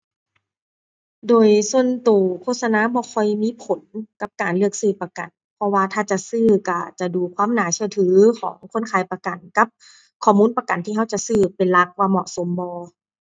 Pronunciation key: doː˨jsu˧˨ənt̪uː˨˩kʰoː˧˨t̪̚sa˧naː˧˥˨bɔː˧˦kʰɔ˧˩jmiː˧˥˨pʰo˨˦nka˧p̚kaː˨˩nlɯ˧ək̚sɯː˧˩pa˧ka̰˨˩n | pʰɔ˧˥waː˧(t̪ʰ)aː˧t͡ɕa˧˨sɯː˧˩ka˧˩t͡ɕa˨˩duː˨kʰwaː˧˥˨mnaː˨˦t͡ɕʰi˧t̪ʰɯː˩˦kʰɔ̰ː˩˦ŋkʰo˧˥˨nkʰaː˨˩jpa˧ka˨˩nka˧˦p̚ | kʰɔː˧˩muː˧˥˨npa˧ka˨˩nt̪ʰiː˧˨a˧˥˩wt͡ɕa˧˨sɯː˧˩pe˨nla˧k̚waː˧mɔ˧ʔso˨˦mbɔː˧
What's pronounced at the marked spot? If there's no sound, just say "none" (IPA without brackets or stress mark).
t̪ʰ